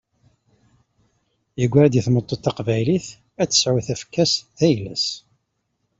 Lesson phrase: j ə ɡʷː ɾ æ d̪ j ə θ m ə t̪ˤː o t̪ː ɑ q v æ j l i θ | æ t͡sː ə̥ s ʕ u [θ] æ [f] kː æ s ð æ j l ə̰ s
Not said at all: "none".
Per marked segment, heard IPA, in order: θ, f

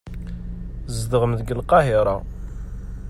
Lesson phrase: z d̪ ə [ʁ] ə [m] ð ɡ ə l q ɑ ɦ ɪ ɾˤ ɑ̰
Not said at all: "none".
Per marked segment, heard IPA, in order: ʁ, m

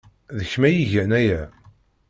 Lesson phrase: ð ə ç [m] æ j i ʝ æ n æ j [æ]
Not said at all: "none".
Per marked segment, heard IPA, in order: m, æ

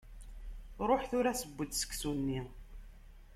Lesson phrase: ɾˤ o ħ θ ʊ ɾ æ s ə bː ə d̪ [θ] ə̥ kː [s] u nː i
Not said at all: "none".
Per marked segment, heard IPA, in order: s, s

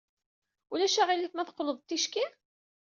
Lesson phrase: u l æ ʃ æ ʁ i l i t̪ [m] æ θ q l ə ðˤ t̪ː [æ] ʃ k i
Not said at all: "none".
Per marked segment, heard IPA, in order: m, i

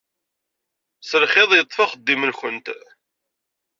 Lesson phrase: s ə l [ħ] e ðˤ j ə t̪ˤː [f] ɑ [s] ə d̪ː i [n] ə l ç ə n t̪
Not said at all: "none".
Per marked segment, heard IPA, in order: χ, f, χ, m

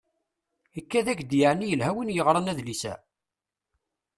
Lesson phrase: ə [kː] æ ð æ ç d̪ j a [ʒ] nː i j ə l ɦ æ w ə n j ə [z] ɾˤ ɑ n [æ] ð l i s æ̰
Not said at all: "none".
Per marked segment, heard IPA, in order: kː, ʕ, ʁ, æ

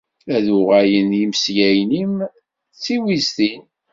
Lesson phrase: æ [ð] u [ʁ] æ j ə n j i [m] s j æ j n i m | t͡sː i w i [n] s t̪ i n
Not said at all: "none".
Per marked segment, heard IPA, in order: ð, ʁ, m, none

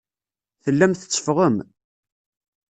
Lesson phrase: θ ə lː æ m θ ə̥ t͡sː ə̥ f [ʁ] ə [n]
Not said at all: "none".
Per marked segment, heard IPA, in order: ʁ, m

